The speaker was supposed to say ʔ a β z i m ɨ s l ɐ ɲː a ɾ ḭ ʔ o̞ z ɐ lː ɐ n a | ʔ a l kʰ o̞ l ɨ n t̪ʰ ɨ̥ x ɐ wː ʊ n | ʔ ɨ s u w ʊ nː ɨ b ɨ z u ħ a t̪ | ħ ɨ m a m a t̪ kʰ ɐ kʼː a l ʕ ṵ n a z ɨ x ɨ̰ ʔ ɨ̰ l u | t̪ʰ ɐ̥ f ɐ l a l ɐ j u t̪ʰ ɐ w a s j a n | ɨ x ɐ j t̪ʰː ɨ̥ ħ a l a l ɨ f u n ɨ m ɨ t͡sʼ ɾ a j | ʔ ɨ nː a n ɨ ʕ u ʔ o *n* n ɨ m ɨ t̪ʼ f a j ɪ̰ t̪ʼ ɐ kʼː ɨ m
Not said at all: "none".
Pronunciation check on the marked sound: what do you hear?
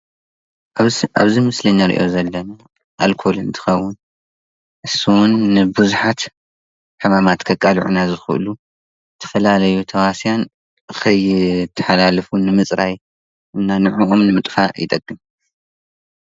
m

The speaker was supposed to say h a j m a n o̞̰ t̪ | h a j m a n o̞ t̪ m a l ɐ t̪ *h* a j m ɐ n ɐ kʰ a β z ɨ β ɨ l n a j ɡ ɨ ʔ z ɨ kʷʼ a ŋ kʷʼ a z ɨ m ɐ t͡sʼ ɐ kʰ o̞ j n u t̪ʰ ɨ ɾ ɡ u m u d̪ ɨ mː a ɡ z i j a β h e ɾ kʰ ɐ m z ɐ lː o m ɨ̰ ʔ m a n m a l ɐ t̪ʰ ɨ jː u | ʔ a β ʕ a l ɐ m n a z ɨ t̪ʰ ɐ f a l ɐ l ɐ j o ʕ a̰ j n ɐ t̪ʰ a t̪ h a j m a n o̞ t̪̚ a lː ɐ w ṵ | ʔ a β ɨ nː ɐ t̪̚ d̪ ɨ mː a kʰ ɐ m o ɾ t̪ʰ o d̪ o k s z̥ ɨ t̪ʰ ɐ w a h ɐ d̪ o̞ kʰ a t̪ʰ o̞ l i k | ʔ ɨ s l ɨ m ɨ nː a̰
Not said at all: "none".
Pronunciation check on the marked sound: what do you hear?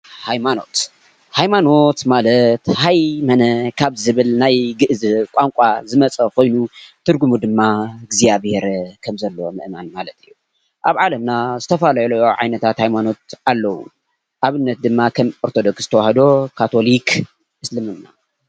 h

